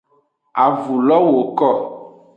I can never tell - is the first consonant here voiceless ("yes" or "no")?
no